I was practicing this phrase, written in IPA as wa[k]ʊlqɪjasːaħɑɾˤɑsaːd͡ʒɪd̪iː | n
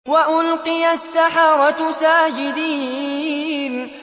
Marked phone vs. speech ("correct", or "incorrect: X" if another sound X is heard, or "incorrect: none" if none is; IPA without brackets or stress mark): incorrect: ʔ